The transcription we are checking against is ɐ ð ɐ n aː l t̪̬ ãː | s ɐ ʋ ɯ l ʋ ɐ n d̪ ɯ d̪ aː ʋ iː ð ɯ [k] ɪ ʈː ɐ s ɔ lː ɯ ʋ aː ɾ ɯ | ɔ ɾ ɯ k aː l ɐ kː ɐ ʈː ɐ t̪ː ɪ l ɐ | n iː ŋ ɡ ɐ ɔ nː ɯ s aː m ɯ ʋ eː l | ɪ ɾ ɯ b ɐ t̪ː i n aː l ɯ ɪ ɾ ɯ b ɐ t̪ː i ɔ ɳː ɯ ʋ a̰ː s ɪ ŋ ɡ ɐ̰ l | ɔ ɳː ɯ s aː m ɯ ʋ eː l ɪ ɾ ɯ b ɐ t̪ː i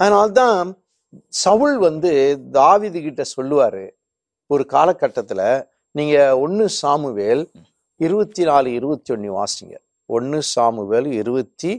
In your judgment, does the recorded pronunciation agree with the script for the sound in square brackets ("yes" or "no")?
yes